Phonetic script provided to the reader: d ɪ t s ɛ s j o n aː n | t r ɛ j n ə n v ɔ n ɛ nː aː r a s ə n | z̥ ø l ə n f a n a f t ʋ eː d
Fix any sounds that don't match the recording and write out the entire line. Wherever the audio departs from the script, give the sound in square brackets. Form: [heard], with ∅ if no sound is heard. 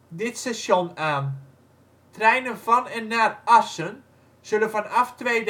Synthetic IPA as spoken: d ɪ t s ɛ s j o n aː n | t r ɛ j n ə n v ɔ n ɛ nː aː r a s ə n | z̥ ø l ə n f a n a f t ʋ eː d